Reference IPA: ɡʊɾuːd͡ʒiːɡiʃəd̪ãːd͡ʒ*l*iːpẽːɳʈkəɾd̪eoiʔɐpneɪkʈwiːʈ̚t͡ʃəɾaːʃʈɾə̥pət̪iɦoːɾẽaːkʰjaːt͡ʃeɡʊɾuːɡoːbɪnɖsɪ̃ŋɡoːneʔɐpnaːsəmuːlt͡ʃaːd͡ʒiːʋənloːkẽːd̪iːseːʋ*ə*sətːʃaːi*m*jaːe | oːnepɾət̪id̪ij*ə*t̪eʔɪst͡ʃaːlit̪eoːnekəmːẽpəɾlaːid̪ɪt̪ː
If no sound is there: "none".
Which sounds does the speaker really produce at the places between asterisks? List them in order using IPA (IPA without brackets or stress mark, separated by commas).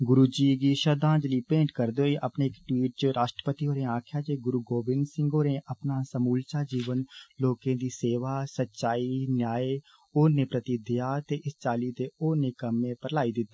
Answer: l, a, n, a